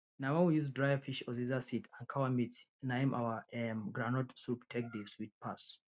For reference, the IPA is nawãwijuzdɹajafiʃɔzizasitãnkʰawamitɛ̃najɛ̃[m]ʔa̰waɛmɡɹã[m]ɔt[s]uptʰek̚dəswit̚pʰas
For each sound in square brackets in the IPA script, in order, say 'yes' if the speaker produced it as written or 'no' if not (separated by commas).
yes, no, yes